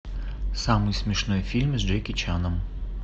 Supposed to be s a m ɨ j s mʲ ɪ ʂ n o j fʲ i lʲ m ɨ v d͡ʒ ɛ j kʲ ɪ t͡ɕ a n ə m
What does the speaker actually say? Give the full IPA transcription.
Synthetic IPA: s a m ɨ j s mʲ ɪ ʂ n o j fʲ i lʲ m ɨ z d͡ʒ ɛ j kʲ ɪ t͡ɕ a n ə m

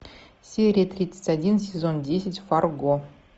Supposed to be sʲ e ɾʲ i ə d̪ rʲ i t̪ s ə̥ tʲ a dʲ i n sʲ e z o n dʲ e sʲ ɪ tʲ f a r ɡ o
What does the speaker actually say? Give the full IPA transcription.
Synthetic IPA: sʲ e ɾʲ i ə t̪ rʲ i t̪ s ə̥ tʲ a dʲ i n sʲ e z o n dʲ e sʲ ɪ tʲ f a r ɡ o

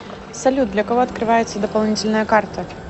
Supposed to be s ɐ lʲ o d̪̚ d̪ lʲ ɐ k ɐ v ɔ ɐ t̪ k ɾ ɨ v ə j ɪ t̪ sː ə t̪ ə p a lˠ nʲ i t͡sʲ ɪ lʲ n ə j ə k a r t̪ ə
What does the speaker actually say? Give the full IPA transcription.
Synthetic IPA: s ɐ lʲ u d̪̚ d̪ lʲ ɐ k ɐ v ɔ ɐ t̪ k ɾ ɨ v a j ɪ t̪ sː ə d̪ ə p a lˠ nʲ i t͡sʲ ɪ lʲ n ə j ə k a r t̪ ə

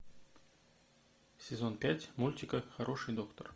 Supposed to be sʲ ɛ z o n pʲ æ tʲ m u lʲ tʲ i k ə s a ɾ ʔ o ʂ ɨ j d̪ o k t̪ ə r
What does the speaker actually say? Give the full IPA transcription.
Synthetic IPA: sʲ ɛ z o n pʲ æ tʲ m u lʲ tʲ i k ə x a ɾ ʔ o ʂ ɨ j d̪ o k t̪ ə r

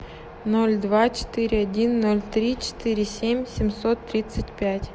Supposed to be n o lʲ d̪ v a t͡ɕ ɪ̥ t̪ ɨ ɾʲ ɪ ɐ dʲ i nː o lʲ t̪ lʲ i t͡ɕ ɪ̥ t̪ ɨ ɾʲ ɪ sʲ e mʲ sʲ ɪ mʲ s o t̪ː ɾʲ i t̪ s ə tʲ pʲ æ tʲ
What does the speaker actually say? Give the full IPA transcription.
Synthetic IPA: n o lʲ d̪ v a t͡ɕ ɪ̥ t̪ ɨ ɾʲ ɪ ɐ dʲ i nː o lʲ t̪ ɾʲ i t͡ɕ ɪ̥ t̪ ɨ ɾʲ ɪ sʲ e mʲ sʲ ɪ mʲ s o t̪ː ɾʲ i t̪ s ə tʲ pʲ æ tʲ

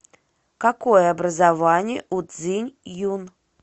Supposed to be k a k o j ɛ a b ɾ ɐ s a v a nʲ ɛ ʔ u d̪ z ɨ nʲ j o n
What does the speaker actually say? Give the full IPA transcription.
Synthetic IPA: k a k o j ɛ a b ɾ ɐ z a v a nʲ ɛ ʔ u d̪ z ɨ nʲ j u n

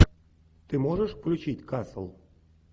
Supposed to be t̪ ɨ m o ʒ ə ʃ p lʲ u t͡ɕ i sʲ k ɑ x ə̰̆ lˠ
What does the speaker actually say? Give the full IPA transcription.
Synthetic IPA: t̪ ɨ m o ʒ ə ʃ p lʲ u t͡ɕ i tʲ k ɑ s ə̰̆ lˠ

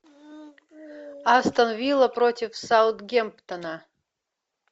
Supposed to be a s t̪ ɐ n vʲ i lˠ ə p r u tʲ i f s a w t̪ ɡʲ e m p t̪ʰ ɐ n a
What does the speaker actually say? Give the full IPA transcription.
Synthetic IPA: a s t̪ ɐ n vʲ i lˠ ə p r o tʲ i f s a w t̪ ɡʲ e m p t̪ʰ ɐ n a

